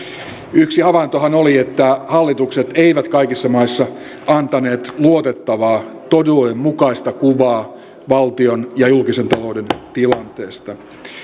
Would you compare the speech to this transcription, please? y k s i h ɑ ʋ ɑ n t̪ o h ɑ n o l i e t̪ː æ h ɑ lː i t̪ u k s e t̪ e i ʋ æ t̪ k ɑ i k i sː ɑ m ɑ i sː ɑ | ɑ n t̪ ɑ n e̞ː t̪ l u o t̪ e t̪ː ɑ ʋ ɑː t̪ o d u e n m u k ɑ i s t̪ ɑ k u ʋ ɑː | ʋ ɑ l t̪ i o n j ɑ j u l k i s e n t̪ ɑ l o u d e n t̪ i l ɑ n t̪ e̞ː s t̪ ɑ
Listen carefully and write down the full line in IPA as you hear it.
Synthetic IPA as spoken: y k s i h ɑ ʋ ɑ n t̪ o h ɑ n o l i e t̪ː æ h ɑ lː i t̪ u k s e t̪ e i ʋ æ t̪ k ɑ i k i sː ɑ m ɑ i sː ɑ | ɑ n t̪ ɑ n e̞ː t̪ l u o t̪ e t̪ː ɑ ʋ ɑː t̪ o d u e m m u k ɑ i s t̪ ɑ k u ʋ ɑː | ʋ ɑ l t̪ i o n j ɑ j u l k i s e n t̪ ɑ l o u d e n t̪ i l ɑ n t̪ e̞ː s t̪ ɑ